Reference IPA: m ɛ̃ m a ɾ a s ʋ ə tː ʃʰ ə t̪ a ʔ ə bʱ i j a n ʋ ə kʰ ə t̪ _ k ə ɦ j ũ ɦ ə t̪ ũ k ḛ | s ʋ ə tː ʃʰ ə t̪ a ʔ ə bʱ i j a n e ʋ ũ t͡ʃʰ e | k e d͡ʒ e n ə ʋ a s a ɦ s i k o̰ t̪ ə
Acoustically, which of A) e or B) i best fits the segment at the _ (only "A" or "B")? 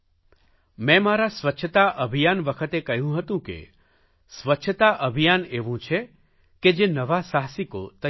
A